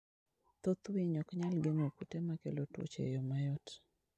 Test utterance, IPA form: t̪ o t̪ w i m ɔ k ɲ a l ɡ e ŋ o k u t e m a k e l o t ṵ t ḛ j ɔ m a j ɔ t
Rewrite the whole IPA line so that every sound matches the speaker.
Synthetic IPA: t̪ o t̪ w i ɲ ɔ k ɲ a l ɡ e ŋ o k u t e m a k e l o t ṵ t͡ʃ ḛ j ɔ m a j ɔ t